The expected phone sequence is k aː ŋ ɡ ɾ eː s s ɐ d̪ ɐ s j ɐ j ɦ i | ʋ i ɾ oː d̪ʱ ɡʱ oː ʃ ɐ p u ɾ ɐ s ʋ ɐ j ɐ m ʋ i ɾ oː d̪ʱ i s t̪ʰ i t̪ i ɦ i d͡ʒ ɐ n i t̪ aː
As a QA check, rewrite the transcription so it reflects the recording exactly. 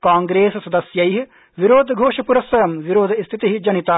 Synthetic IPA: k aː ŋ ɡ ɾ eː s s ɐ d̪ ɐ s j ɐ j ɦ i | ʋ i ɾ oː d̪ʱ ɡʱ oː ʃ ɐ p u ɾ ɐ s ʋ ɐ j ɐ m ʋ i ɾ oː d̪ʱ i s t̪ʰ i t̪ i ɦ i d͡ʒ ɐ n i t̪ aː